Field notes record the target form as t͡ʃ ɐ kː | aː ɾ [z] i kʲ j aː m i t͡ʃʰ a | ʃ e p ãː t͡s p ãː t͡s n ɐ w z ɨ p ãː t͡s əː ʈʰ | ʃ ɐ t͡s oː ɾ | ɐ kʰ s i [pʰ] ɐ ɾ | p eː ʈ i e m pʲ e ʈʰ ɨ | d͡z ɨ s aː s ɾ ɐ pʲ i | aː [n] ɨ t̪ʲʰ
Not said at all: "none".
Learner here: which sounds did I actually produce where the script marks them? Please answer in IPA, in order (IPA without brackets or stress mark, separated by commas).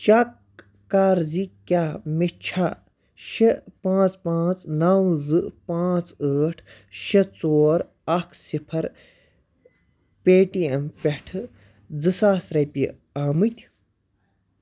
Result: z, pʰ, m